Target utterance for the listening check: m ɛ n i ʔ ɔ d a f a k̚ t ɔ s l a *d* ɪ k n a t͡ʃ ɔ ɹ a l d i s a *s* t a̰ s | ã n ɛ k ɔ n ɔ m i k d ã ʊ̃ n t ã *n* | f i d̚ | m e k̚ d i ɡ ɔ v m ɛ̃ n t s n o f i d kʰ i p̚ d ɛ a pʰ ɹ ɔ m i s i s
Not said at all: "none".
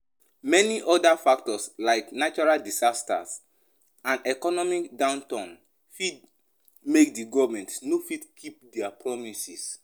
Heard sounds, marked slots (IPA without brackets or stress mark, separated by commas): none, s, n